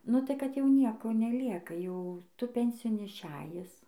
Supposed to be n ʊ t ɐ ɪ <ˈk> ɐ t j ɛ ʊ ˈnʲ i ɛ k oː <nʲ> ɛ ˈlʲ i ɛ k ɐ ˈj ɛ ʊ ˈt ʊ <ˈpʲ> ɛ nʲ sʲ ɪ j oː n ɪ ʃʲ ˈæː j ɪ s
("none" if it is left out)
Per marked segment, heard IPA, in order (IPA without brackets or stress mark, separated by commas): k, nʲ, pʲ